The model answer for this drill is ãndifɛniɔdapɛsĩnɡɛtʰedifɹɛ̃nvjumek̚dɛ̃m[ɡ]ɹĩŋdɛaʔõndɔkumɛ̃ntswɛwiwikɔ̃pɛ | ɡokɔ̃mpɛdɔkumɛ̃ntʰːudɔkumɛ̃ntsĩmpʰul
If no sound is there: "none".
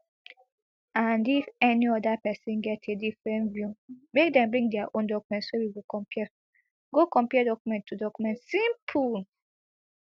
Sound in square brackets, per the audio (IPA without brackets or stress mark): b